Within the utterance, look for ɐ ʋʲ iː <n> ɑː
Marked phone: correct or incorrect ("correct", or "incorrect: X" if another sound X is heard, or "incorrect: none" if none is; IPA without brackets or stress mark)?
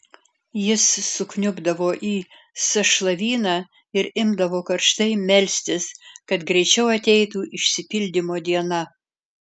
correct